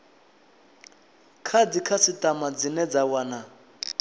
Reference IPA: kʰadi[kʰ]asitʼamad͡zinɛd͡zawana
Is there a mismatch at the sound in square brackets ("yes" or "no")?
no